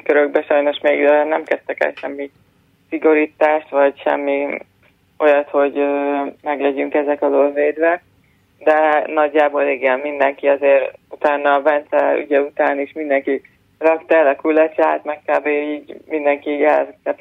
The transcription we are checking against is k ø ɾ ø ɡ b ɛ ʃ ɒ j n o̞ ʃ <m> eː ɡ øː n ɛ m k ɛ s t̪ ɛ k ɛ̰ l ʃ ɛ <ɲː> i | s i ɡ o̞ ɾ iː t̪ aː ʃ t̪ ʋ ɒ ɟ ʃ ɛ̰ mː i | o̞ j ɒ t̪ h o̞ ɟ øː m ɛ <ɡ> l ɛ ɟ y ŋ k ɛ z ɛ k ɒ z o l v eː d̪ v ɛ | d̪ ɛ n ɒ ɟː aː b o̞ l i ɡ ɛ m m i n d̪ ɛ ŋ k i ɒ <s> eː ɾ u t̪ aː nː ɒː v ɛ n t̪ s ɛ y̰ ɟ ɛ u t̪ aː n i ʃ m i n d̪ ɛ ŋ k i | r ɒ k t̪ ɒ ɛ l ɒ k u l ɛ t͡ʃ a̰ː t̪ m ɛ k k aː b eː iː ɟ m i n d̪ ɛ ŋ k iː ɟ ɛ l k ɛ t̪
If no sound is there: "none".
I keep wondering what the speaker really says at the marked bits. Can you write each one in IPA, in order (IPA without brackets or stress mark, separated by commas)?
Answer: m, mː, ɡ, z